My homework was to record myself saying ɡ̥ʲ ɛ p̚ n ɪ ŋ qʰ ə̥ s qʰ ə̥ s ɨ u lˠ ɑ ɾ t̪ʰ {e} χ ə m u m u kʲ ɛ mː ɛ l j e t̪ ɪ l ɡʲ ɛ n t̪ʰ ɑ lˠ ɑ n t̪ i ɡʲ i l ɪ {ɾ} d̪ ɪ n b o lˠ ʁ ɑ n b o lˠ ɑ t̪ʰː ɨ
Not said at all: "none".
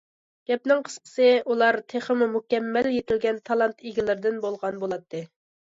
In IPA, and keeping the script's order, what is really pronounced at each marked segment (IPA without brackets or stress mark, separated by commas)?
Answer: e, ɾ